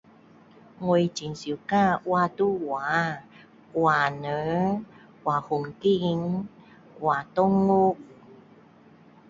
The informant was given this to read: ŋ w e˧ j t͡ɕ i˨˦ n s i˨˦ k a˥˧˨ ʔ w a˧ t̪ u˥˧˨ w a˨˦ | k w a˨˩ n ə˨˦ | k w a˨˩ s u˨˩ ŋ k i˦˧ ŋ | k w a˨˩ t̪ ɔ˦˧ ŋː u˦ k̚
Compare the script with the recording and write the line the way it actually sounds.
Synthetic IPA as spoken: ŋ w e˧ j t͡ɕ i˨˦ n s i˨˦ k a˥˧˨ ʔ w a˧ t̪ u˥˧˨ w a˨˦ | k w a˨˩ n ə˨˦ | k w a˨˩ h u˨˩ ŋ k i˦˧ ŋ | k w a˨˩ t̪ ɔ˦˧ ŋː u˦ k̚